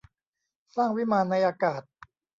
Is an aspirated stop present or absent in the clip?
absent